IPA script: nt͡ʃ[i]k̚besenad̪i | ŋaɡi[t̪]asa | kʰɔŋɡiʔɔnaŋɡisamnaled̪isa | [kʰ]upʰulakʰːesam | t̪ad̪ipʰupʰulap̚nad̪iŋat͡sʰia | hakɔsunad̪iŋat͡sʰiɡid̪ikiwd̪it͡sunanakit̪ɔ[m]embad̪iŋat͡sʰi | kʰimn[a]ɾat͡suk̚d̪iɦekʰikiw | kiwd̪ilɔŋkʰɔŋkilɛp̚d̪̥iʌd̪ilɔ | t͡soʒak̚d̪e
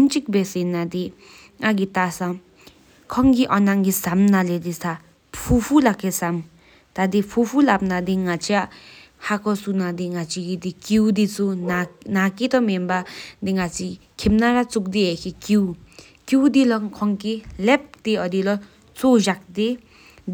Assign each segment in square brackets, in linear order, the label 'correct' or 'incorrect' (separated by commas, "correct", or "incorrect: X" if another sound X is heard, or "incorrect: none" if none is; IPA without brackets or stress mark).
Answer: correct, correct, incorrect: pʰ, correct, correct